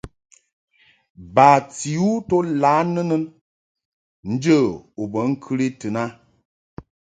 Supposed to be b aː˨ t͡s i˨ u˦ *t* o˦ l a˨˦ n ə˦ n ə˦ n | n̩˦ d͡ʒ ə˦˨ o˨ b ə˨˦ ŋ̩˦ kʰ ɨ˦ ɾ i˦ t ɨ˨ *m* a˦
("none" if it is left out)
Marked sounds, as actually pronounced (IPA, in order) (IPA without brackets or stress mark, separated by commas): t, n